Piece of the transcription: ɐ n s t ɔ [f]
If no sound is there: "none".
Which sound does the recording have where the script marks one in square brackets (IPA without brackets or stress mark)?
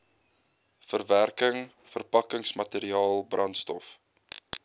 f